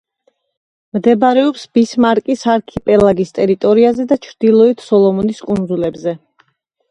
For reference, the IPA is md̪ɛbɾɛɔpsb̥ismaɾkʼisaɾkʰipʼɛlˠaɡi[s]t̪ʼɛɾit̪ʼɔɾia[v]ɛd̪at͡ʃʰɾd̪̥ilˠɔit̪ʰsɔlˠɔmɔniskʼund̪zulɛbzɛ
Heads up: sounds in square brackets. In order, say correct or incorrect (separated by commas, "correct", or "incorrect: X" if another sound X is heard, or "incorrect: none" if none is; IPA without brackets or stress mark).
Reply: correct, incorrect: z